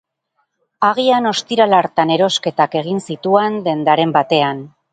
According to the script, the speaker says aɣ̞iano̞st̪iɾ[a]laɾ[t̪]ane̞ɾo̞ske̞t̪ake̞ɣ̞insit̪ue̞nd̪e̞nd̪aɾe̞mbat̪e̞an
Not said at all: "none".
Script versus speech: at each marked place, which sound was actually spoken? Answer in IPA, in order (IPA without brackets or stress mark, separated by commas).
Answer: a, t̪